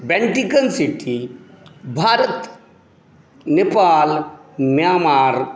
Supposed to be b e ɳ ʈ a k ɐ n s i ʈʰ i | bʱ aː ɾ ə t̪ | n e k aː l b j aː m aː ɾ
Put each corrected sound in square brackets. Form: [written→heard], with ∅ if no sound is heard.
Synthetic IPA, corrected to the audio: b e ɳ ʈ [a→i] k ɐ n s i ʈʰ i | bʱ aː ɾ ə t̪ | n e [k→p] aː l [b→m] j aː m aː ɾ